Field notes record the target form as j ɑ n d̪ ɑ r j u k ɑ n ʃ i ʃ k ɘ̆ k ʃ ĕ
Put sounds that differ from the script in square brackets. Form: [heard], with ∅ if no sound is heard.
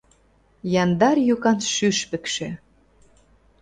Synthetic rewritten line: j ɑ n d̪ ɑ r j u k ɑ n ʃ [y] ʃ [p] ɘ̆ k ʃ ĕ